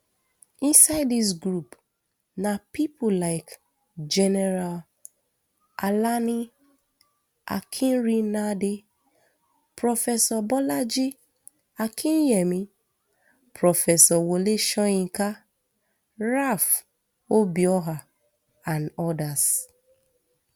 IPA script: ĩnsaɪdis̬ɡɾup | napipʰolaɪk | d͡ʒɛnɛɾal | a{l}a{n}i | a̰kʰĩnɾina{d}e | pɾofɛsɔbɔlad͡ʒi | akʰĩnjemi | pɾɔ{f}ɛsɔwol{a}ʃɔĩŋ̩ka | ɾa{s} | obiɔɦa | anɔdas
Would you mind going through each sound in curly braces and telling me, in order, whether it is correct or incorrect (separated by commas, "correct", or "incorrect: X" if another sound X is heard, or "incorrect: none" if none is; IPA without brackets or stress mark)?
correct, correct, correct, correct, incorrect: e, incorrect: f